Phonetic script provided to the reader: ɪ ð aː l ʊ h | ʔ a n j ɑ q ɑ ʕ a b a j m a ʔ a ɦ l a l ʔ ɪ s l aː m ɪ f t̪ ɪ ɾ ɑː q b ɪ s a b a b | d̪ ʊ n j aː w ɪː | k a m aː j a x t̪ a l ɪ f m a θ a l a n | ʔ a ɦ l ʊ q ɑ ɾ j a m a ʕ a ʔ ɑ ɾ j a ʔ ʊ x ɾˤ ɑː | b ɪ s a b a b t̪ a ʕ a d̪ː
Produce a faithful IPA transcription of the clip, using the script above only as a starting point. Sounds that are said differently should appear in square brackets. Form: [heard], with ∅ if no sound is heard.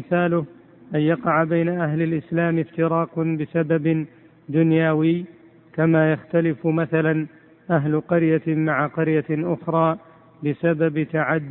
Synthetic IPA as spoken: ɪ [θ] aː l ʊ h | ʔ a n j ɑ q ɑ ʕ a b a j [n] a ʔ a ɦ l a l ʔ ɪ s l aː m ɪ f t̪ ɪ ɾ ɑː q b ɪ s a b a b | d̪ ʊ n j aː w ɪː | k a m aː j a x t̪ a l ɪ f m a θ a l a n | ʔ a ɦ l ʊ q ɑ ɾ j a m a ʕ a [q] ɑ ɾ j a ʔ ʊ x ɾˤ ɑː | b ɪ s a b a b t̪ a ʕ a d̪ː